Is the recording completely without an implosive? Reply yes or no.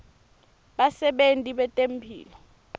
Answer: no